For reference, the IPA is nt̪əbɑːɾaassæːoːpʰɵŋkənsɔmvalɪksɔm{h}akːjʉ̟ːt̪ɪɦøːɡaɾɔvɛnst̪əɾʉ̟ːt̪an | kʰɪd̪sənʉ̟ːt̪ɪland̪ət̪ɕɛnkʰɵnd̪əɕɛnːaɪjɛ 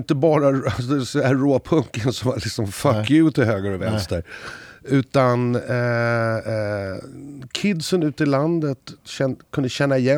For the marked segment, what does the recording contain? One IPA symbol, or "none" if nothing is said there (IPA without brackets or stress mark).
f